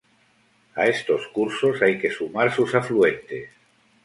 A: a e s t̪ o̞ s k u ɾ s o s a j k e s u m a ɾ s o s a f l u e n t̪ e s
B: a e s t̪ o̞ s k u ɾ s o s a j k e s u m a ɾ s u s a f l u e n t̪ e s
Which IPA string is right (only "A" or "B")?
B